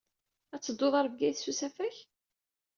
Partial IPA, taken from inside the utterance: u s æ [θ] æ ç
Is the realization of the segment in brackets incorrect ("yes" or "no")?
yes